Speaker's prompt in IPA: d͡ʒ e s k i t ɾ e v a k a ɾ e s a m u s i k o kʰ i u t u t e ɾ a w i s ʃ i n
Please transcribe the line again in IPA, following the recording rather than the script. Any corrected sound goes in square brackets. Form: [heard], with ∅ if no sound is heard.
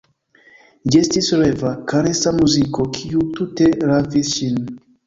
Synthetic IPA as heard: d͡ʒ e s [t] i [s] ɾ e v a k a ɾ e s a m u [z] i k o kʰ i u t u t e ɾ a [v] i s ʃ i n